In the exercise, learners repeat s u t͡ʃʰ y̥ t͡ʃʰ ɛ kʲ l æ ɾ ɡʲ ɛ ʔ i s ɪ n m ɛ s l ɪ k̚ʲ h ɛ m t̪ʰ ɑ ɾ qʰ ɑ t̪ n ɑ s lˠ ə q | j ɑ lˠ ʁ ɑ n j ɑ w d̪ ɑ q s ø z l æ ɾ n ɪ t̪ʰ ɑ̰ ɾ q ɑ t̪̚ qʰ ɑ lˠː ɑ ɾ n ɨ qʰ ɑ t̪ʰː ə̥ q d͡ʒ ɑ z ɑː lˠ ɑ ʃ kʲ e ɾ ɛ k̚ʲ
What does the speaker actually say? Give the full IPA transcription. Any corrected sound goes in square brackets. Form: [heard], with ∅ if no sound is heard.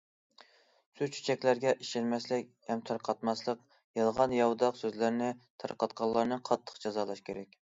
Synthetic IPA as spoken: s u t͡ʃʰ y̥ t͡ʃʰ ɛ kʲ l æ ɾ ɡʲ ɛ ʔ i [ʃ] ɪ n m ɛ s l ɪ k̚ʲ h ɛ m t̪ʰ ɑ ɾ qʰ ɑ t̪ [m] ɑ s lˠ ə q | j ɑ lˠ ʁ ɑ n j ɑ w d̪ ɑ q s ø z l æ ɾ n ɪ t̪ʰ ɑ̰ ɾ q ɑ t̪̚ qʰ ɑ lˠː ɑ ɾ n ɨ qʰ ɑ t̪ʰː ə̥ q d͡ʒ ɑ z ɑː lˠ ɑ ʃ kʲ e ɾ ɛ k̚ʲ